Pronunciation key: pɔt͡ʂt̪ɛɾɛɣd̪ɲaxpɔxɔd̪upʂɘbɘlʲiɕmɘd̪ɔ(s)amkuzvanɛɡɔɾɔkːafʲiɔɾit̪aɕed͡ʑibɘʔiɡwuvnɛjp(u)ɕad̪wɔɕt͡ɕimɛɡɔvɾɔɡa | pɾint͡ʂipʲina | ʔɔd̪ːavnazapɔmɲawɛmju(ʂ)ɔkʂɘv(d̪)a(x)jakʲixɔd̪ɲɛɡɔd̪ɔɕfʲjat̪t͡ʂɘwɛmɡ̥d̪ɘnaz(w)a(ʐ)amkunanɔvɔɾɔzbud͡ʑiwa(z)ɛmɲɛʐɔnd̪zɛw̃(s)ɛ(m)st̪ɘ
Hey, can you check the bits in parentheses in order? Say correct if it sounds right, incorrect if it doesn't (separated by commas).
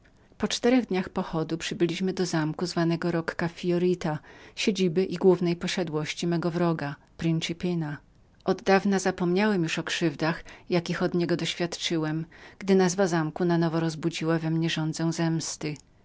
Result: incorrect, incorrect, correct, correct, correct, incorrect, incorrect, incorrect, incorrect, correct